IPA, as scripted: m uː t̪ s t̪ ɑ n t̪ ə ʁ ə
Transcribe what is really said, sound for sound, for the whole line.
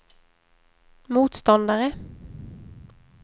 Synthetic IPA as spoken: m uː t̪ s t̪ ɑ n d̪ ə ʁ ə